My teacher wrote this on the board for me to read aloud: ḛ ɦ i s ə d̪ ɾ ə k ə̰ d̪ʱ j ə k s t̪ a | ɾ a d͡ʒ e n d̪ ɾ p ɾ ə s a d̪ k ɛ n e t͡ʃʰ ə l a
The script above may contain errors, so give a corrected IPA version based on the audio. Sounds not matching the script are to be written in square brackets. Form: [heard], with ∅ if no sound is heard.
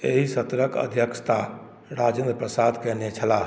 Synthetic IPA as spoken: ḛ ɦ i s ə [t̪] ɾ ə k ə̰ d̪ʱ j ə k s t̪ a | ɾ a d͡ʒ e n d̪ ɾ p ɾ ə s a d̪ k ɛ n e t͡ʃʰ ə l a